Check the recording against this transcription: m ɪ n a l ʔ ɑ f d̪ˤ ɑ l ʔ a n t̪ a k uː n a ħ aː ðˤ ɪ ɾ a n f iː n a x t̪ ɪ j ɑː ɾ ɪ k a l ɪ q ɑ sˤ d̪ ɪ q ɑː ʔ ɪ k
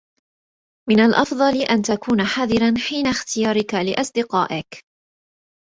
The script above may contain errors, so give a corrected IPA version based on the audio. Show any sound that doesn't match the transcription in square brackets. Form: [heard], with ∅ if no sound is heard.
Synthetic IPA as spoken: m ɪ n a l ʔ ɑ f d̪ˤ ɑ l ʔ a n t̪ a k uː n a ħ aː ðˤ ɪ ɾ a n [ħ] iː n a x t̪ ɪ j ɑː ɾ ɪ k a l ɪ [ʔ] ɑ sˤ d̪ ɪ q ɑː ʔ ɪ k